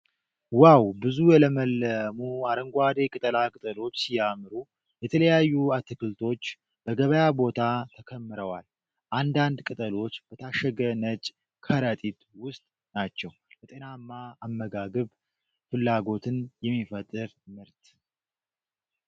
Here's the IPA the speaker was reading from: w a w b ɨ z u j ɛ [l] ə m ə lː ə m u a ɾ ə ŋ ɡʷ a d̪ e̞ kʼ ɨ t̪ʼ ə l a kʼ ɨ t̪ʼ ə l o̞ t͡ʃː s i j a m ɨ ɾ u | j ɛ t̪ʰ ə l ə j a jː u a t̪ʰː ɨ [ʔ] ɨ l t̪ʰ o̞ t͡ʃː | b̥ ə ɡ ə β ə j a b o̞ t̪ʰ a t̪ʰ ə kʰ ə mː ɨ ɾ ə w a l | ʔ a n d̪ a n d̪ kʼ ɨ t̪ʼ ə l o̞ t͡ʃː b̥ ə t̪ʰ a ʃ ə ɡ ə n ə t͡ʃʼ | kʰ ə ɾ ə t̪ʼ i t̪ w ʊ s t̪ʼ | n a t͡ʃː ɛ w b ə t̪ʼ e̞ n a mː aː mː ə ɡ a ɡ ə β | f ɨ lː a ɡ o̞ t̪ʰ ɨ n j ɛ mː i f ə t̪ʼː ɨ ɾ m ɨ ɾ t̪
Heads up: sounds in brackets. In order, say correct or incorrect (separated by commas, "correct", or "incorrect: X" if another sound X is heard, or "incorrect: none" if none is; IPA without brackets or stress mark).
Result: correct, incorrect: k